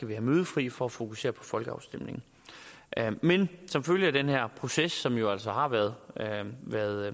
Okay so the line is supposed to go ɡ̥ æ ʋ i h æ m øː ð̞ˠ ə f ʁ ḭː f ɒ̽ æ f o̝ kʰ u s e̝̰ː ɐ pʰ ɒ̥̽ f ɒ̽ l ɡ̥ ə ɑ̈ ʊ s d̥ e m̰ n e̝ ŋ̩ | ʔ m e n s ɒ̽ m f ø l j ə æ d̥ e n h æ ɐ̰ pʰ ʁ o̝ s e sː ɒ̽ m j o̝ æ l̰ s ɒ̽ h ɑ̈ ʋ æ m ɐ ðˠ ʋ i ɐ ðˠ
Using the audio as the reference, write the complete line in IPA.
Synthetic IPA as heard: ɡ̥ æ ʋ i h æ m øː ð̞ˠ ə f ʁ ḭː f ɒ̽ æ f o̝ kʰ u s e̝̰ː ɐ pʰ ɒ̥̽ f ɒ̽ l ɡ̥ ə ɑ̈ ʊ s d̥ e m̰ n e̝ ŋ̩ | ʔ m e n s ɒ̽ m f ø l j ə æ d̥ e n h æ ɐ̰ pʰ ʁ o̝ s e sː ɒ̽ m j o̝ æ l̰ s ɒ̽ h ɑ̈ ʋ æ ɐ ðˠ ʋ æ ɐ ðˠ